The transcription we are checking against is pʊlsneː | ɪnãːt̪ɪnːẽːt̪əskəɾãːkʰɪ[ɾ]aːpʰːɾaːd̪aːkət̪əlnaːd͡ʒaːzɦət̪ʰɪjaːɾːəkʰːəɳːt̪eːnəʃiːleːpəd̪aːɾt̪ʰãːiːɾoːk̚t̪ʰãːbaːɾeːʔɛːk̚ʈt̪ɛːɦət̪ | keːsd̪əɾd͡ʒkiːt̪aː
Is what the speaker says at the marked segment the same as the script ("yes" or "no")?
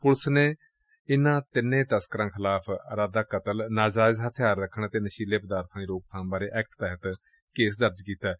no